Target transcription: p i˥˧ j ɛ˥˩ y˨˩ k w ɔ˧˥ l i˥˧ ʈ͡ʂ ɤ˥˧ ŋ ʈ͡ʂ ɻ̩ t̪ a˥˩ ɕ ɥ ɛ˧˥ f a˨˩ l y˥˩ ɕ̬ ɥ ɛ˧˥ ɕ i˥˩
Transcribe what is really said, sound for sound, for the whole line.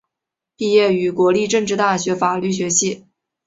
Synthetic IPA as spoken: p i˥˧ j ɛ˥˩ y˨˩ k w ɔ˧˥ l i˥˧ ʈ͡ʂ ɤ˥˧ ŋ ʈ͡ʂ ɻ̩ t̪ a˥˩ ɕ ɥ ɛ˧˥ f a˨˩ l y˥˩ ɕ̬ ɥ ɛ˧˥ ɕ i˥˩